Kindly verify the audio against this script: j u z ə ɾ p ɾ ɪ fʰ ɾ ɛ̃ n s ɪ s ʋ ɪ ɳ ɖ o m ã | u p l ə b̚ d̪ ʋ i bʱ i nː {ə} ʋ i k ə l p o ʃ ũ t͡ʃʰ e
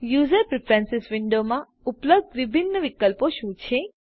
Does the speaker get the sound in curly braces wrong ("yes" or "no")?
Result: no